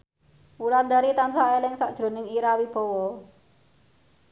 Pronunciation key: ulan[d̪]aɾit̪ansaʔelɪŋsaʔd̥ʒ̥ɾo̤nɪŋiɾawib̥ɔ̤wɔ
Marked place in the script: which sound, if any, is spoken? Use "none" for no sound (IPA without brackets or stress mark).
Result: d̪